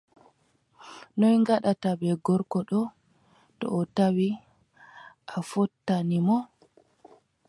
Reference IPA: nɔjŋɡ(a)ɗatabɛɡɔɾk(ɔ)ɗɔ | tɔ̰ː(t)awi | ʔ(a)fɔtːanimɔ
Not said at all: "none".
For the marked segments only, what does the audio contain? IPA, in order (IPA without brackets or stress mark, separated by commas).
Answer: a, ɔ, t, a